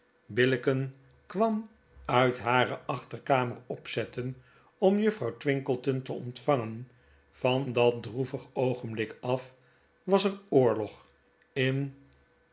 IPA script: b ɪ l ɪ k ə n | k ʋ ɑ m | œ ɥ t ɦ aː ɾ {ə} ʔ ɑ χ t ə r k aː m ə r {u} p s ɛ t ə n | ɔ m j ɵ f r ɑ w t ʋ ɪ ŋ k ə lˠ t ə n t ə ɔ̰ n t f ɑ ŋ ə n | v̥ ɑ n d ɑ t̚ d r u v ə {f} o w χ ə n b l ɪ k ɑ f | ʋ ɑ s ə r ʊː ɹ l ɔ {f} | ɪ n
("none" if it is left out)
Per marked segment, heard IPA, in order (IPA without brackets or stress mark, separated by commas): ə, ɔ, χ, χ